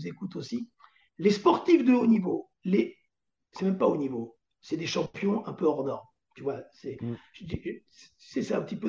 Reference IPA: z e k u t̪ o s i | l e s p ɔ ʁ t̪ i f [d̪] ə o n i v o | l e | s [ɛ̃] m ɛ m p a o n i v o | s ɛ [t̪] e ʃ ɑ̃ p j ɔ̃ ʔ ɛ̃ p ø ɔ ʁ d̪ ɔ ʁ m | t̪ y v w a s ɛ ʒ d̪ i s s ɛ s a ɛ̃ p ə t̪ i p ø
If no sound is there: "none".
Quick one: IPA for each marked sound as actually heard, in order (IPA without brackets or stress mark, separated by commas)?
d̪, ɛ, d̪